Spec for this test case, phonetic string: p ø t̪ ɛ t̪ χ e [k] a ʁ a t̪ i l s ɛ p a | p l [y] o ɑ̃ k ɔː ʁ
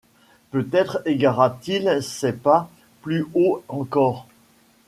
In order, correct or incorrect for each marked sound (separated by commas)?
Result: incorrect, correct